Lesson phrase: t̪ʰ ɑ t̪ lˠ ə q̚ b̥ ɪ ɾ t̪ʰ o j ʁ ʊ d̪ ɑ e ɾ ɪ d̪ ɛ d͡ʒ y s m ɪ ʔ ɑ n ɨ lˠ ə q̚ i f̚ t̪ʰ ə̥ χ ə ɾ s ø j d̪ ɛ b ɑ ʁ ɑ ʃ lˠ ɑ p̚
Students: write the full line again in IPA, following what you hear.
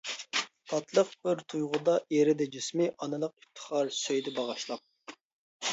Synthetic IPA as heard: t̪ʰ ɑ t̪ lˠ ə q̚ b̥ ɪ ɾ t̪ʰ u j ʁ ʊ d̪ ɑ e ɾ ɪ d̪ ɛ d͡ʒ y s m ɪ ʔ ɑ n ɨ lˠ ə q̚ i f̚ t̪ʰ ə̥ χ ɑ ɾ s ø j d̪ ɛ b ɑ ʁ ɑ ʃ lˠ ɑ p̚